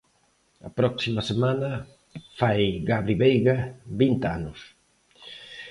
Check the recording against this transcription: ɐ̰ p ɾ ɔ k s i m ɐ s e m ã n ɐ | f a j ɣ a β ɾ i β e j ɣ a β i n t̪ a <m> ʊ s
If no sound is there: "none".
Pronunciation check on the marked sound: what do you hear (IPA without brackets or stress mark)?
n